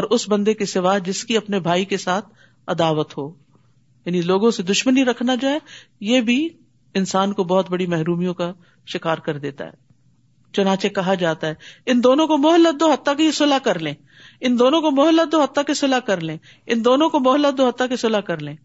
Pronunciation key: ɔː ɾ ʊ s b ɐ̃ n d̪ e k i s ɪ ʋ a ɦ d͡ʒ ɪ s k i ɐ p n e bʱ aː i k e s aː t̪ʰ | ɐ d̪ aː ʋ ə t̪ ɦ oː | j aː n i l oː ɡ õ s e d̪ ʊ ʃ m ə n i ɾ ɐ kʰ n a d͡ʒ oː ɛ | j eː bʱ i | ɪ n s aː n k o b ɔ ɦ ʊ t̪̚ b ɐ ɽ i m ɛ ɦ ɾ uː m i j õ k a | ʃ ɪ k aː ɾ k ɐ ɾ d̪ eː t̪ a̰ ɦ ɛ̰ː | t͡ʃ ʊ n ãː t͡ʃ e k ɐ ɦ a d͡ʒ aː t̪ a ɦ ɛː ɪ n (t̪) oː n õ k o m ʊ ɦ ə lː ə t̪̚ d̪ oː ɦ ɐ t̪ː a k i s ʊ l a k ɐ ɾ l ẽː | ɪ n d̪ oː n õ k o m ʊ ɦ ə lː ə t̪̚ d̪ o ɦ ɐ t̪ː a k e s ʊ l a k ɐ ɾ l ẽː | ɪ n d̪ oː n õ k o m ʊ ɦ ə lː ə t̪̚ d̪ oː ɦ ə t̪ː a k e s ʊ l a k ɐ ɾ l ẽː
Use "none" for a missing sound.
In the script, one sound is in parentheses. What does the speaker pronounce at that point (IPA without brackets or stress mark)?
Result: d̪